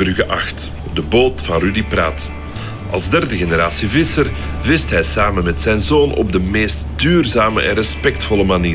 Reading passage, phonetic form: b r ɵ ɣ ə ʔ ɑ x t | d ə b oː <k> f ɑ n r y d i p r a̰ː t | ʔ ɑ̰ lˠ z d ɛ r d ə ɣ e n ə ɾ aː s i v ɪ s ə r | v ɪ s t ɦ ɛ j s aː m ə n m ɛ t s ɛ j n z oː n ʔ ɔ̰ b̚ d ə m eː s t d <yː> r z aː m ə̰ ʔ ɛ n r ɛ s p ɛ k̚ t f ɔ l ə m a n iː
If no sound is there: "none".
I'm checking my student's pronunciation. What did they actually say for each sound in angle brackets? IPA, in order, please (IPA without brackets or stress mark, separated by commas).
t, yː